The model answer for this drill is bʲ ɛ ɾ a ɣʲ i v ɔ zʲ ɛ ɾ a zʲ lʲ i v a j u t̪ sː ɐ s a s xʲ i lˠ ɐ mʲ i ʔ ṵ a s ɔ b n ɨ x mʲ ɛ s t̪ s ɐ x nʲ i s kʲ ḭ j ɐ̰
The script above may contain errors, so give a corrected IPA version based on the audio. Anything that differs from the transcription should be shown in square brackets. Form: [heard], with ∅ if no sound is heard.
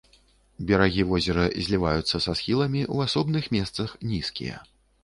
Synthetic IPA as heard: bʲ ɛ ɾ a ɣʲ i v ɔ zʲ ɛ ɾ [ɐ] zʲ lʲ i v a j u t̪ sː ɐ s a s xʲ i lˠ ɐ mʲ i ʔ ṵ a s ɔ b n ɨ x mʲ ɛ s t̪ s ɐ x nʲ i s kʲ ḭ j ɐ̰